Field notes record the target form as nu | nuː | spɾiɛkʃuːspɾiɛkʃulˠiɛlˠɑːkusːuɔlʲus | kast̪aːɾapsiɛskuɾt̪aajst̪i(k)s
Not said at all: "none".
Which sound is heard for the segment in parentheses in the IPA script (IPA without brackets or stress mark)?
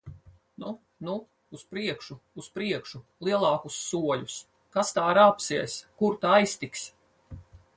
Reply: k